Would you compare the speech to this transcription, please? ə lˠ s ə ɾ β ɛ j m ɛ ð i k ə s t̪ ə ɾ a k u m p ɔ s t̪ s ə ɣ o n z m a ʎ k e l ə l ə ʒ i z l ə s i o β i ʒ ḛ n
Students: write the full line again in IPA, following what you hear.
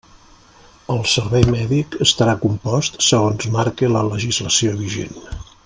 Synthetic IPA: ə lˠ s ə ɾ β ɛ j m ɛ ð i k ə s t̪ ə ɾ a k u m p ɔ s t̪ s ə ɣ o n z m a ɾ k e l ə l ə ʒ i z l ə s i o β i ʒ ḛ n